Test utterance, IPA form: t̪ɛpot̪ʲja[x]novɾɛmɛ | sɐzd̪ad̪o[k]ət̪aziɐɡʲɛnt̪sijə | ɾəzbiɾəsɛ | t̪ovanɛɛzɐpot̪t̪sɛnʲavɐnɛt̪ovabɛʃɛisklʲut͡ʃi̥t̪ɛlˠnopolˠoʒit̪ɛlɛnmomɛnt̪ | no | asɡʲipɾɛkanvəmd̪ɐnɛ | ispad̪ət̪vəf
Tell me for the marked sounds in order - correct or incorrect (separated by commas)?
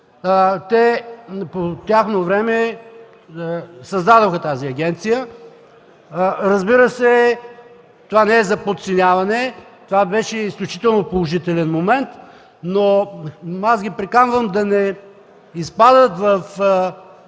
correct, incorrect